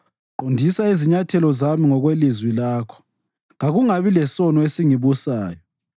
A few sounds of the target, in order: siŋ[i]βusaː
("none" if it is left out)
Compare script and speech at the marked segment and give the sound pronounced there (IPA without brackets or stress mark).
i